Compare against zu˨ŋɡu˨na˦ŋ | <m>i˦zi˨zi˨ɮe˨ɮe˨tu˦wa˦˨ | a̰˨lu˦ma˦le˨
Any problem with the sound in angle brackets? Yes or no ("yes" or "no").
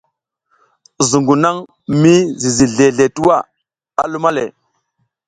no